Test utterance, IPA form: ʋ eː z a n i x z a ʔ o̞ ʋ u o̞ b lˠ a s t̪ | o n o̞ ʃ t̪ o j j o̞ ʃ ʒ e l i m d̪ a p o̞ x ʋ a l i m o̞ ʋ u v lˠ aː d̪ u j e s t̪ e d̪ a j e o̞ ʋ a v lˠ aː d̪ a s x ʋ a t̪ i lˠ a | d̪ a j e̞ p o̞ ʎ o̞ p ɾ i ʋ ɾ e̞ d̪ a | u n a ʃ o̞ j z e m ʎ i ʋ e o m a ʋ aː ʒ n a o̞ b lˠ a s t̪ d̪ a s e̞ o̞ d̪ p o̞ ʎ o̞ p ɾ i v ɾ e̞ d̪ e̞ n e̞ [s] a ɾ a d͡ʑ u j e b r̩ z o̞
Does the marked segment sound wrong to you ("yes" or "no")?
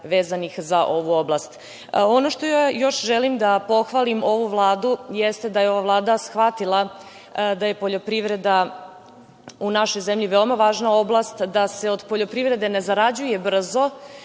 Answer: yes